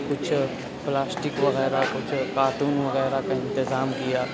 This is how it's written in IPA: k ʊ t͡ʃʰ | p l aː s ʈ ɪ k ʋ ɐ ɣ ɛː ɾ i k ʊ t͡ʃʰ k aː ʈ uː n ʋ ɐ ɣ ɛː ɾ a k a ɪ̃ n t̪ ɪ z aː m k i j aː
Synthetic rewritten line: k ʊ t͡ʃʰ | p l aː s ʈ ɪ k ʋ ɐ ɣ ɛː ɾ a k ʊ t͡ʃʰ k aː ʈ uː n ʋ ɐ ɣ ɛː ɾ a k a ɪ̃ n t̪ ɪ z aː m k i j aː

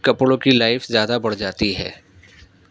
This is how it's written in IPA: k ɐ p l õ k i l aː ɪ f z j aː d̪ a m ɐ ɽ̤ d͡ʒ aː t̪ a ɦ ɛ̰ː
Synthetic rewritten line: k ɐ p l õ k i l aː ɪ f z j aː d̪ a b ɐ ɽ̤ d͡ʒ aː t̪ i ɦ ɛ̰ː

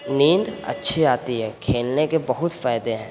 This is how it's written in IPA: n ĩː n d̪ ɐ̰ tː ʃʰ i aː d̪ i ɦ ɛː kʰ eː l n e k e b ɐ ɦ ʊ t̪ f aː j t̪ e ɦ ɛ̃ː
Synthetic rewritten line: n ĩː n d̪ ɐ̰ tː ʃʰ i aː t̪ i ɦ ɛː kʰ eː l n e k e b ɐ ɦ ʊ t̪ f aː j d̪ e ɦ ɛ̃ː

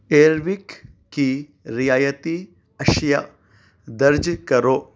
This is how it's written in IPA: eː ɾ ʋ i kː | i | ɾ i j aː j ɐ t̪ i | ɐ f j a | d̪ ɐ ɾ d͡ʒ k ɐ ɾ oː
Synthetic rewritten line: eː ɾ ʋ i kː | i | ɾ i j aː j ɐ t̪ i | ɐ ʃ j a | d̪ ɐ ɾ d͡ʒ k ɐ ɾ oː

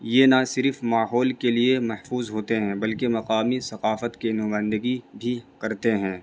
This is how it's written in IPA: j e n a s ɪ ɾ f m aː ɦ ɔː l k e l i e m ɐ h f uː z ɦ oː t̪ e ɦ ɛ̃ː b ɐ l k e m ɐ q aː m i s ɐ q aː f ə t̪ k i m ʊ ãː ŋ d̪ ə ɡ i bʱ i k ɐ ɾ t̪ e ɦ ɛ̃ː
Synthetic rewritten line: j e n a s ɪ ɾ f m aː ɦ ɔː l k e l i e m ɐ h f uː z ɦ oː t̪ e ɦ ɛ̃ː b ɐ l k e m ɐ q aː m i s ɐ q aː f ə t̪ k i n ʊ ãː n d̪ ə ɡ i bʱ i k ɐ ɾ t̪ e ɦ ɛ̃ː

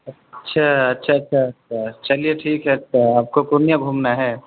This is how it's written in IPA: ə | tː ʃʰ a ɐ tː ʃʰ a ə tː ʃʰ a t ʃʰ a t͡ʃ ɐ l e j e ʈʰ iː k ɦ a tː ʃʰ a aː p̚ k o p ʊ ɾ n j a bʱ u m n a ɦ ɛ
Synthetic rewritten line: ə | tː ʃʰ a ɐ tː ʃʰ a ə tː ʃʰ a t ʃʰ a t͡ʃ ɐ l i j e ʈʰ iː k ɦ ɛ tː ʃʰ a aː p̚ k o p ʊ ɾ n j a bʱ u m n a ɦ ɛ

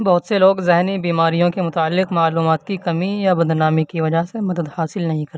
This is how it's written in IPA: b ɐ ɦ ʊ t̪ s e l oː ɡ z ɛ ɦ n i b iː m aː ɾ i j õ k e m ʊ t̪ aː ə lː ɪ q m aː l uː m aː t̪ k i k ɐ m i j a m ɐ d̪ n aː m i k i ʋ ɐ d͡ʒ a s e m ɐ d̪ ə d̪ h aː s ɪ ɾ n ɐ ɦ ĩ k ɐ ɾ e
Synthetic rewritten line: b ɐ ɦ ʊ t̪ s e l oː ɡ z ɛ ɦ n i b iː m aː ɾ i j õ k e m ʊ t̪ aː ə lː ɪ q m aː l uː m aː t̪ k i k ɐ m i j a b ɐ d̪ n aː m i k i ʋ ɐ d͡ʒ a s e m ɐ d̪ ə d̪ h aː s ɪ l n ɐ ɦ ĩ k ɐ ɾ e

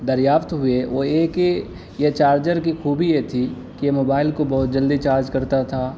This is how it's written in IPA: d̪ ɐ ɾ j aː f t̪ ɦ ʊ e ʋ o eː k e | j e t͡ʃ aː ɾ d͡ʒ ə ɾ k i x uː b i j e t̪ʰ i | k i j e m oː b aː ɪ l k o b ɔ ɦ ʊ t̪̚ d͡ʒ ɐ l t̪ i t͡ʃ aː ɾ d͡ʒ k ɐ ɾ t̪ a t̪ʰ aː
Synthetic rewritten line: d̪ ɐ ɾ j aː f t̪ ɦ ʊ e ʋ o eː k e | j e t͡ʃ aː ɾ d͡ʒ ə ɾ k i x uː b i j e t̪ʰ i | k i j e m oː b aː ɪ l k o b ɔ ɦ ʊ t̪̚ d͡ʒ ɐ l d̪ i t͡ʃ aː ɾ d͡ʒ k ɐ ɾ t̪ a t̪ʰ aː

